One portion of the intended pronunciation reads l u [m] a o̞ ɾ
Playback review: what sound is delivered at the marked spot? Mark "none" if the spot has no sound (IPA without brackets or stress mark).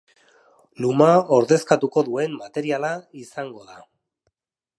m